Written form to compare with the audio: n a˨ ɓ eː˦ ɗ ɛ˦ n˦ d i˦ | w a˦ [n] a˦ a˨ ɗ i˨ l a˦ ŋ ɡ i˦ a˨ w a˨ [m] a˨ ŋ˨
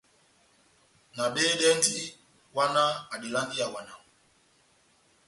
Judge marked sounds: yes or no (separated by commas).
yes, no